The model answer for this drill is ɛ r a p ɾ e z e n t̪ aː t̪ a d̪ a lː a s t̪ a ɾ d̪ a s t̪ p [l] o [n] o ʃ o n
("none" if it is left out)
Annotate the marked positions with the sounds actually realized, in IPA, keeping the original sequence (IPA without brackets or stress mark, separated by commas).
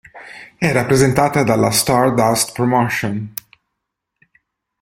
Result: ɾ, m